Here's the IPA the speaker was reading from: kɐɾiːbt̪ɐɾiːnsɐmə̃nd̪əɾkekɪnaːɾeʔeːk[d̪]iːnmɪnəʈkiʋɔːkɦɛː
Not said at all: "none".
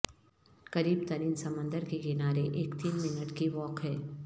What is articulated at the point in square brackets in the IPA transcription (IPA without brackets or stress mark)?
t̪